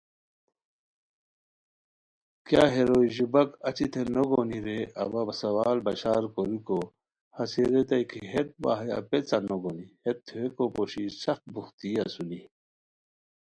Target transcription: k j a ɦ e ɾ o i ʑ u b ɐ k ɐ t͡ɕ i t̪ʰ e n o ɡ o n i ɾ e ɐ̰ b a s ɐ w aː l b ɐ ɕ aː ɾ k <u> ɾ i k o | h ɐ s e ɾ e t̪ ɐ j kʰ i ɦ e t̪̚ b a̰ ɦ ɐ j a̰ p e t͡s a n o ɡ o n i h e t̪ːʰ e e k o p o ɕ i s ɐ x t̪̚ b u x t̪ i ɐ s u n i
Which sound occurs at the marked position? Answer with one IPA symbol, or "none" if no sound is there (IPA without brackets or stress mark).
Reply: o